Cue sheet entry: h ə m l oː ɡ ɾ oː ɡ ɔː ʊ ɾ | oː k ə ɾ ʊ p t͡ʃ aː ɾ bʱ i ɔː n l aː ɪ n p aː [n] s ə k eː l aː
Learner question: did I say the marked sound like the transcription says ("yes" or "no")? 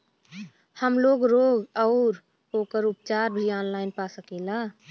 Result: no